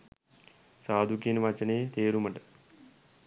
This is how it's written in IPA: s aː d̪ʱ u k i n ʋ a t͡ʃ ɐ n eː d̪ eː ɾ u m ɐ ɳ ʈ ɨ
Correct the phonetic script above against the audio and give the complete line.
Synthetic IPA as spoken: s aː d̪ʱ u k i n ʋ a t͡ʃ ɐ n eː t̪ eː ɾ u m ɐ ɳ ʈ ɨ